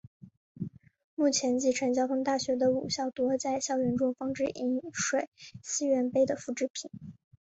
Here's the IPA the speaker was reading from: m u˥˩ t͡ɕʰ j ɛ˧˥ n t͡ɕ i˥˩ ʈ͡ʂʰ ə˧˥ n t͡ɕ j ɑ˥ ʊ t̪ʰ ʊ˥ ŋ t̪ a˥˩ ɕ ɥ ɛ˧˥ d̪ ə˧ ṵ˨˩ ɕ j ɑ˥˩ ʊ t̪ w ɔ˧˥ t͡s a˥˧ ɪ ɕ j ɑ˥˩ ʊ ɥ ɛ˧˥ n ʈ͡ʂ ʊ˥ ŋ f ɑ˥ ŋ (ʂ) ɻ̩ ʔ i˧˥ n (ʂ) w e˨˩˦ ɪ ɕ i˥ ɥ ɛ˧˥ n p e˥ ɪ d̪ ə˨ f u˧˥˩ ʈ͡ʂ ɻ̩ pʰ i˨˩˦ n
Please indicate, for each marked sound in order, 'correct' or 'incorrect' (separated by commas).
incorrect, correct